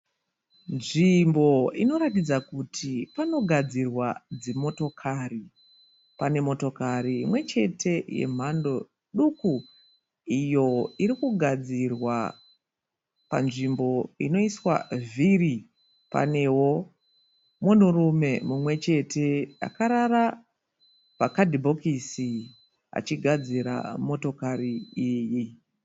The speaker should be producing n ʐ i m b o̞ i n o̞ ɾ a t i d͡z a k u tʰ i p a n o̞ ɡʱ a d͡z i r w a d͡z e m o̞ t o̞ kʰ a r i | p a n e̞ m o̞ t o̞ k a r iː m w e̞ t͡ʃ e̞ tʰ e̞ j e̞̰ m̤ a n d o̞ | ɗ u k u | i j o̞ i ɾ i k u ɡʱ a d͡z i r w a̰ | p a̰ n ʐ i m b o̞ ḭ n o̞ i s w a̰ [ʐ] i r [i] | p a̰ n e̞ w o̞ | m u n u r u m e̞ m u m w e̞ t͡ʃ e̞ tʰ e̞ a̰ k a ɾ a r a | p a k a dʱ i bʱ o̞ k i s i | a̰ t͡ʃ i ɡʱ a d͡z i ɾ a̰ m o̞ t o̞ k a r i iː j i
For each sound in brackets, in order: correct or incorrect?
incorrect: v, correct

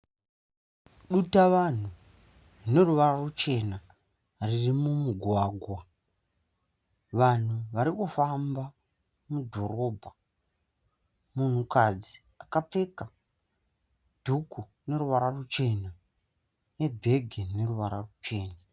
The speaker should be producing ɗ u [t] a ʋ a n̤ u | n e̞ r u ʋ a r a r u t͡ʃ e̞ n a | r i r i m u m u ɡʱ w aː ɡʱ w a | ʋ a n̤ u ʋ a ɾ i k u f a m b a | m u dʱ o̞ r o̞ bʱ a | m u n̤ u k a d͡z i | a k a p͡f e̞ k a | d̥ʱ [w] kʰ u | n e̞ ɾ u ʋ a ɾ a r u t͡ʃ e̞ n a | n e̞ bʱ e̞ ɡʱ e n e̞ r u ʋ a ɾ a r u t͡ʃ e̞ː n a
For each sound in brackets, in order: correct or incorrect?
correct, incorrect: u

